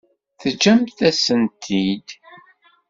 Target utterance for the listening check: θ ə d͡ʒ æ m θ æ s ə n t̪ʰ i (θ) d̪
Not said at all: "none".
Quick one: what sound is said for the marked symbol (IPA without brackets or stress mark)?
none